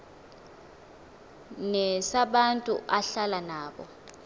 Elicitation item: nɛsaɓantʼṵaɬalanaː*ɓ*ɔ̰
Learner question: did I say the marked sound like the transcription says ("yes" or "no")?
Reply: yes